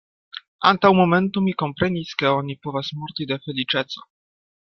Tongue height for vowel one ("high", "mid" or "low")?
low